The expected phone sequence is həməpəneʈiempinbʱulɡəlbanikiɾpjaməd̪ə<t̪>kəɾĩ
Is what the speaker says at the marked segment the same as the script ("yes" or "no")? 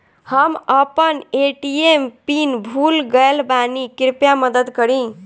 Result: no